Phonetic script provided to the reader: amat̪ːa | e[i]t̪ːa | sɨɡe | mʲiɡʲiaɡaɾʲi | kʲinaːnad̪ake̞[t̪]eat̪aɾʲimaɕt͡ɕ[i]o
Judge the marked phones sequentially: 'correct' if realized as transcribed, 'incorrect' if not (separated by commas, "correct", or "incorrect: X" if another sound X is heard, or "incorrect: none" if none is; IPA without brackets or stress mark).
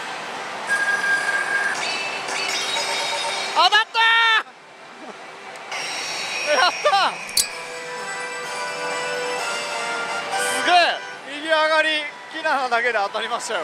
incorrect: a, incorrect: d̪, incorrect: a